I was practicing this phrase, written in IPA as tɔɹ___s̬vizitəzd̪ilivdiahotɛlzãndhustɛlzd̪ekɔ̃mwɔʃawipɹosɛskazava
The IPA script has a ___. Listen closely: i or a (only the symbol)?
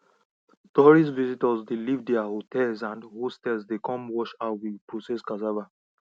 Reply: i